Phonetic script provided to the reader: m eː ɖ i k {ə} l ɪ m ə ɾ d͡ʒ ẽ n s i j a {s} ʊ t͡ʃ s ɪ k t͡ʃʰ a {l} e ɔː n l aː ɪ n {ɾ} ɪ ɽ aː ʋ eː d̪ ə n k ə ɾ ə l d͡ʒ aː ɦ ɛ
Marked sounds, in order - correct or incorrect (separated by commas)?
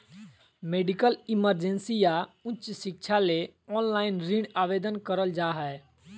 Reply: correct, incorrect, correct, correct